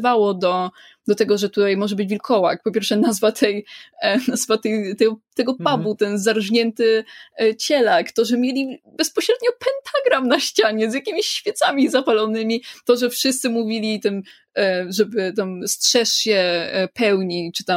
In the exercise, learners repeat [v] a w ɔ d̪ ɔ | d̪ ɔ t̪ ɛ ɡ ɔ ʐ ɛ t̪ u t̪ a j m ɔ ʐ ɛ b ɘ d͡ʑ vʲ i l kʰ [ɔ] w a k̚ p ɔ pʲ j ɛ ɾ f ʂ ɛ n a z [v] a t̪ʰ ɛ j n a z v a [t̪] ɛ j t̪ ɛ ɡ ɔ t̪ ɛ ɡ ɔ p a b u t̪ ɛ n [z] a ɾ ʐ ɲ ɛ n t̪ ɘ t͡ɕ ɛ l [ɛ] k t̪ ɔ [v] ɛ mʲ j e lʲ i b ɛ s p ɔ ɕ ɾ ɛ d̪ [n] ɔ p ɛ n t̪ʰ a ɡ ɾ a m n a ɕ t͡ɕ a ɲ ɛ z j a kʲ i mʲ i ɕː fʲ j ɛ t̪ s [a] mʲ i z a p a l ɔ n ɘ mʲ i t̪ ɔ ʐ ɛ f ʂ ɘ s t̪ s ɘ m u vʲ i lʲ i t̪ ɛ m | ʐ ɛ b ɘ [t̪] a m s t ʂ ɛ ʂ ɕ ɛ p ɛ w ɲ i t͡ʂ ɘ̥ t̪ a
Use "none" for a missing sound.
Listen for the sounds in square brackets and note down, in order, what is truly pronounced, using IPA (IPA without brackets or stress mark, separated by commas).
v, ɔ, v, t̪, z, a, ʐ, ɲ, a, t̪